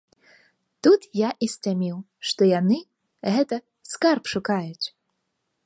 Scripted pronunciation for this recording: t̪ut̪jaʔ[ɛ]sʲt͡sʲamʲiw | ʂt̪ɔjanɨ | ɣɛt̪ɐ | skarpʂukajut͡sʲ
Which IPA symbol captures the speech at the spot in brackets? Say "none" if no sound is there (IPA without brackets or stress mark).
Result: i